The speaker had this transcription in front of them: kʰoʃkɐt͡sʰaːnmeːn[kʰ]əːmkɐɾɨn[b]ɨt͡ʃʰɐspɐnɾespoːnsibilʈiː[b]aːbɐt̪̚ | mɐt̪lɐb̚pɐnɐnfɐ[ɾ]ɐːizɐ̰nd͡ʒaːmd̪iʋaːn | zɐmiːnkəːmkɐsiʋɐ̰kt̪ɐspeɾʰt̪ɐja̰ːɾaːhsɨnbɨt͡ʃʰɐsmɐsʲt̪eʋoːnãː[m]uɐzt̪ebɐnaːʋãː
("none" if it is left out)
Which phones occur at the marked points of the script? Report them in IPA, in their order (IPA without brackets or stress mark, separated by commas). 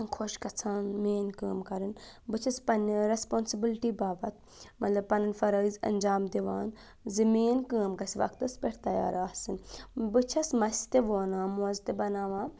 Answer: k, b, b, ɾ, m